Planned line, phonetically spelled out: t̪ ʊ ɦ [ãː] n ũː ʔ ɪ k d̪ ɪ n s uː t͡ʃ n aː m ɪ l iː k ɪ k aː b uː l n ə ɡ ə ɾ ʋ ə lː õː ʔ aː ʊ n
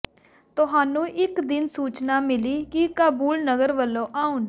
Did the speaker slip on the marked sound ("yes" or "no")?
yes